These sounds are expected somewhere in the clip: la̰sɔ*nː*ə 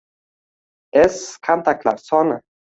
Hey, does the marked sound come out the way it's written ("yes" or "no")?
no